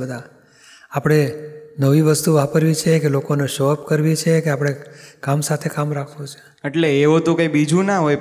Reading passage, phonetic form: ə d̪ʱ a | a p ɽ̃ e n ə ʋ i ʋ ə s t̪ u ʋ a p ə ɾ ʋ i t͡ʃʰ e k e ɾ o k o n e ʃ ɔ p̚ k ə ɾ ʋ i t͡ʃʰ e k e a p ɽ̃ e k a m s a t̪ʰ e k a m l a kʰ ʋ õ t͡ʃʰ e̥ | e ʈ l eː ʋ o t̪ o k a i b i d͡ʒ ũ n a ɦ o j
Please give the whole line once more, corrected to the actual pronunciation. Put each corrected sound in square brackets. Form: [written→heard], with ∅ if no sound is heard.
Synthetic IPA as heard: ə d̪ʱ a | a p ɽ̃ e n ə ʋ i ʋ ə s t̪ u ʋ a p ə ɾ ʋ i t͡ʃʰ e k e [ɾ→l] o k o n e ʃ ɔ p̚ k ə ɾ ʋ i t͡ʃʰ e k e a p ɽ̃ e k a m s a t̪ʰ e k a m [l→ɾ] a kʰ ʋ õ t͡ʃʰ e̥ | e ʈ l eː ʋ o t̪ o k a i b i d͡ʒ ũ n a ɦ o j